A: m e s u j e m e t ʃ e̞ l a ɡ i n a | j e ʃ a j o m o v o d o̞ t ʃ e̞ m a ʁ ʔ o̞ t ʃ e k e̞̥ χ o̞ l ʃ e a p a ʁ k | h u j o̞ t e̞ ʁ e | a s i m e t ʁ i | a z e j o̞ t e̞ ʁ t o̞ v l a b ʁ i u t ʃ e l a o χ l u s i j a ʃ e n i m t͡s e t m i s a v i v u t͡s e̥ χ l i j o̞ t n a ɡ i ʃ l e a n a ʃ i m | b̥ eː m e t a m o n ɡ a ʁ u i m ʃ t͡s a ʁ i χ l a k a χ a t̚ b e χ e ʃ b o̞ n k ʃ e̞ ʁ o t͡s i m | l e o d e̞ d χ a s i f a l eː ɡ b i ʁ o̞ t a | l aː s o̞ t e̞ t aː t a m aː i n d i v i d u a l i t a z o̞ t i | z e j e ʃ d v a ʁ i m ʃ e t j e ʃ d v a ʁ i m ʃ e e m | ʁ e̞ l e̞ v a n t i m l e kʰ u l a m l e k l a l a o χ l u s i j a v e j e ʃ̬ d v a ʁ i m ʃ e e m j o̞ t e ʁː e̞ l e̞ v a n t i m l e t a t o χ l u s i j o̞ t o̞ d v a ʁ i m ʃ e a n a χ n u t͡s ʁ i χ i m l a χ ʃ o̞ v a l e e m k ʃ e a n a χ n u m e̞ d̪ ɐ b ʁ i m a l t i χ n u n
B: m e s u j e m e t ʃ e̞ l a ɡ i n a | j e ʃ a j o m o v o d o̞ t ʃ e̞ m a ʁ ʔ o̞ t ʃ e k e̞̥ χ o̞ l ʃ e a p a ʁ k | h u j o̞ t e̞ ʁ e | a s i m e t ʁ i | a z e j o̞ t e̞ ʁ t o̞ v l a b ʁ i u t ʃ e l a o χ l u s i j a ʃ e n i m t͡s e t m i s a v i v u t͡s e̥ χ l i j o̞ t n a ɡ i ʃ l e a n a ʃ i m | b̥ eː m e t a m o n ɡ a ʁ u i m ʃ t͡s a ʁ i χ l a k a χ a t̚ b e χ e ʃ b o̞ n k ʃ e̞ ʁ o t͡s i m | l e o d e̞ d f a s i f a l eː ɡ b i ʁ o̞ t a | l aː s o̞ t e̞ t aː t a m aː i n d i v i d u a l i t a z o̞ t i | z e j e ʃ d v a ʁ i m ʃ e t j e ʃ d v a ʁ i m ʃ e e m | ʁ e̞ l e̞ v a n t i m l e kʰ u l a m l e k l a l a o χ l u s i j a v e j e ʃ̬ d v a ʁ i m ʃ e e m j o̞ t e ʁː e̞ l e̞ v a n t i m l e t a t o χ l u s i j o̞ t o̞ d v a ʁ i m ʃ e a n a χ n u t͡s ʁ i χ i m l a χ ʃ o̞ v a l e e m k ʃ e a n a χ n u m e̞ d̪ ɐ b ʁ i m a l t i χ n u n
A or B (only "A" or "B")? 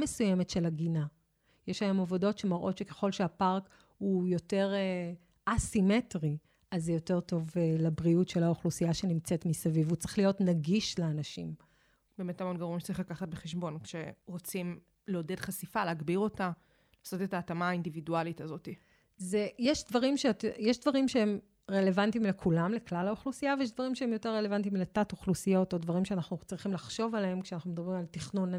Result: A